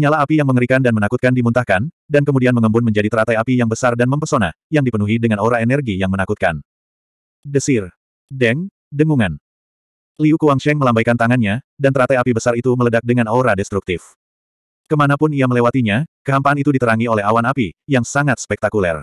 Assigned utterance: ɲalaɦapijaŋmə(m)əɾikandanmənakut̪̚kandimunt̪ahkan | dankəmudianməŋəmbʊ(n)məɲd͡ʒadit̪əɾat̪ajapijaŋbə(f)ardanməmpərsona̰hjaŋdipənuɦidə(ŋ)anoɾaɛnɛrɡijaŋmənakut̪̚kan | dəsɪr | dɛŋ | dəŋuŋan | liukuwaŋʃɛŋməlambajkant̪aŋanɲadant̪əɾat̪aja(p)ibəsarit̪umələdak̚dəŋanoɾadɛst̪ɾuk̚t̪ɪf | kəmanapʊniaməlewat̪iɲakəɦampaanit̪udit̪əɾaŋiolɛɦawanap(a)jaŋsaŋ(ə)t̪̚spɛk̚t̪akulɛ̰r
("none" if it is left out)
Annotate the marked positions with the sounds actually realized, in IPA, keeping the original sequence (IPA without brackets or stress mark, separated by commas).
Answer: ŋ, n, s, ŋ, p, i, a